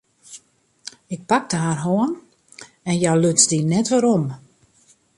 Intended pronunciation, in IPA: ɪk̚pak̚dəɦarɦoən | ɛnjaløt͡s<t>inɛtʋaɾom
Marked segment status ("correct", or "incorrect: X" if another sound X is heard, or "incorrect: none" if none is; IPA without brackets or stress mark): incorrect: d